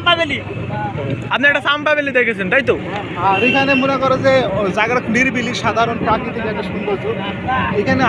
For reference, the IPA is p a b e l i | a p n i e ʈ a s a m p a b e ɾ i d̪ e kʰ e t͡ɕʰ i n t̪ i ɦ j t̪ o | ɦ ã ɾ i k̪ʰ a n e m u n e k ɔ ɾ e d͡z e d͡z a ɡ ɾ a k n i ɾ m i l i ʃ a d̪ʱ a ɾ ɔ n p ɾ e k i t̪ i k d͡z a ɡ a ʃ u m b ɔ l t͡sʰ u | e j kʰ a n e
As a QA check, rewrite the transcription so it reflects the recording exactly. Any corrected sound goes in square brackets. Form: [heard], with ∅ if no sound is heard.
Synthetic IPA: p a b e l i | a p n i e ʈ a s a m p a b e [l] i d̪ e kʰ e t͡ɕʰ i n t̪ [a] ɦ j t̪ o | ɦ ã ɾ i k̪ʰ a n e m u n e k ɔ ɾ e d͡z e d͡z a ɡ ɾ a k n i ɾ [b] i l i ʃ a d̪ʱ a ɾ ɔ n p ɾ [a] k i t̪ i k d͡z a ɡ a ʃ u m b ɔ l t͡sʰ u | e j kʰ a n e